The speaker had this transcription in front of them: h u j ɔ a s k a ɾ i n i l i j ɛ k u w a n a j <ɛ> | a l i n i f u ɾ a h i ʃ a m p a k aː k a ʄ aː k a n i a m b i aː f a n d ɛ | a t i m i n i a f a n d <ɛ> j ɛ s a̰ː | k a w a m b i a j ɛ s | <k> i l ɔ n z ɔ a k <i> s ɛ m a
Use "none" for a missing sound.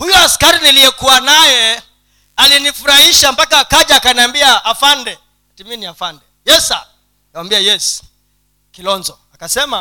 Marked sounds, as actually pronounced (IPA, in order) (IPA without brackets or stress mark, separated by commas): ɛ, ɛ, k, a